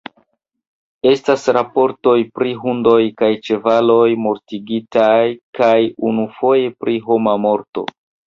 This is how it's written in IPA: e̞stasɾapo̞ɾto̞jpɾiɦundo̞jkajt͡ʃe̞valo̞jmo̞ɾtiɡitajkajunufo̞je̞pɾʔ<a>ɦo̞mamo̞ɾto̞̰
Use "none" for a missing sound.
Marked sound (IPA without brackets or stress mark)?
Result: i